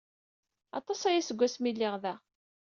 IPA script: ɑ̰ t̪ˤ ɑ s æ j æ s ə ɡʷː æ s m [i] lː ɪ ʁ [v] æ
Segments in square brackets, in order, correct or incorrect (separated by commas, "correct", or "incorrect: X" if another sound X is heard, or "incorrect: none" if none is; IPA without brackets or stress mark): correct, incorrect: ð